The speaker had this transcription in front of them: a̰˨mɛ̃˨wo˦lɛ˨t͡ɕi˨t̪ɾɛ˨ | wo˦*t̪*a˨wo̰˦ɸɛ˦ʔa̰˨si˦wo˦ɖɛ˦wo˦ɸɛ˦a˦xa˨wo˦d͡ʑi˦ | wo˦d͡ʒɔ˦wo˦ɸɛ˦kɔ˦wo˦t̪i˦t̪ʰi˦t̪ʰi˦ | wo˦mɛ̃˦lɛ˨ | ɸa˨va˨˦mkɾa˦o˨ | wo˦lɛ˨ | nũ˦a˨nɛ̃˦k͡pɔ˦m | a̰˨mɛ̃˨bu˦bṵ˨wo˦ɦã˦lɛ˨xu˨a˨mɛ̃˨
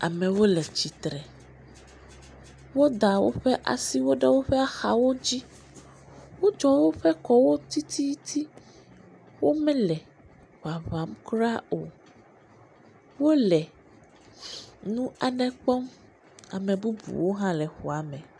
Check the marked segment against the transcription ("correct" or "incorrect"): incorrect